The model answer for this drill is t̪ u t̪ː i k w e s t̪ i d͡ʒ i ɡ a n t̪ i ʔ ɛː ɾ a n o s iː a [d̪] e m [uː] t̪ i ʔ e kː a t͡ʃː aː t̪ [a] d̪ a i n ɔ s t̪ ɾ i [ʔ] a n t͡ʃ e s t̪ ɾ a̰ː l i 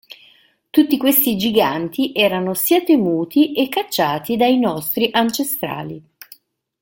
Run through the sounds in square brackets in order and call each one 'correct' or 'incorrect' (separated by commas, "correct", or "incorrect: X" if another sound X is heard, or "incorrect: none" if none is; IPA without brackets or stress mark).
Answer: incorrect: t̪, correct, incorrect: i, correct